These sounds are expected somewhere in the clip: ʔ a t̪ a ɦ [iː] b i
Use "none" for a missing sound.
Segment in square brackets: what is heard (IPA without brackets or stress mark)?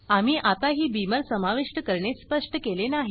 iː